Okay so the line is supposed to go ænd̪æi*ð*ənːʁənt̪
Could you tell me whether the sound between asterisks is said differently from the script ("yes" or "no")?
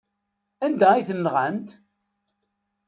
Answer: yes